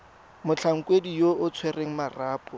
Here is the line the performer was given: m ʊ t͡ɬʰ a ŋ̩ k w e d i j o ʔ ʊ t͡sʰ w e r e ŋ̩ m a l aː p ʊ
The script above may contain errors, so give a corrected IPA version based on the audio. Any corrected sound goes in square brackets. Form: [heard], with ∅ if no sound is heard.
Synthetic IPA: m ʊ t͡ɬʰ a ŋ̩ k w e d i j o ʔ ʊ t͡sʰ w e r e ŋ̩ m a [r] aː p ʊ